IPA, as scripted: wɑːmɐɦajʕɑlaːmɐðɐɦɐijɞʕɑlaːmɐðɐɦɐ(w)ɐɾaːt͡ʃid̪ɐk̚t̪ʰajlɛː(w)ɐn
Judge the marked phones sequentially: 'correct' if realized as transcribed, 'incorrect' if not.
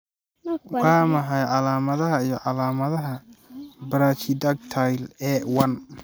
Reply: incorrect, correct

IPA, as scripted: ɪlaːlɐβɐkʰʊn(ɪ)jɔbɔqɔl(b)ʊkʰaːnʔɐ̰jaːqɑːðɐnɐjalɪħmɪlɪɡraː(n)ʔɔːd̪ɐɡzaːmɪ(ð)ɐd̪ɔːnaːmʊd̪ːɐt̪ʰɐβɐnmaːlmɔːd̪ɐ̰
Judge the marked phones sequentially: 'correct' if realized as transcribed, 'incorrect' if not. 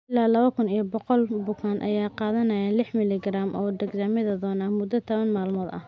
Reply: incorrect, correct, incorrect, correct

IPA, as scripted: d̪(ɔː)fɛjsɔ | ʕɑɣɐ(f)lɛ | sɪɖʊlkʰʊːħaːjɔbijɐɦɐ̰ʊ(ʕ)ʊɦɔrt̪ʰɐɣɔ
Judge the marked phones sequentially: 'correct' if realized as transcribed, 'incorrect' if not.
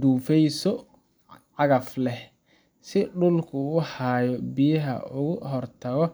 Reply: incorrect, correct, incorrect

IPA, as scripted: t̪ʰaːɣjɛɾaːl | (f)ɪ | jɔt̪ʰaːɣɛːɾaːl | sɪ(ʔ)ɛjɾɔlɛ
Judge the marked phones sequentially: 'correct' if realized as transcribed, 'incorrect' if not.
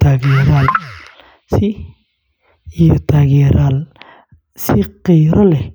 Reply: incorrect, incorrect

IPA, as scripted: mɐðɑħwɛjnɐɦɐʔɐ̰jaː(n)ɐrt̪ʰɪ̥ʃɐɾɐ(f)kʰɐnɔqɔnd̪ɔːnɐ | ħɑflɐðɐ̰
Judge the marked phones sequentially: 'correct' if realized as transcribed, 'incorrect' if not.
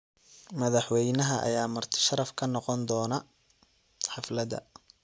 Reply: incorrect, correct

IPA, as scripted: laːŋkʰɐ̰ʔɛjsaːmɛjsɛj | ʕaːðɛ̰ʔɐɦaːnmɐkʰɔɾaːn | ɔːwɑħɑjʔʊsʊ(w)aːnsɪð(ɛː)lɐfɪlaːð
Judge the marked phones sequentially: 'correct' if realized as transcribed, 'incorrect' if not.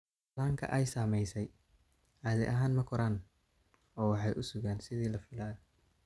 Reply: incorrect, incorrect

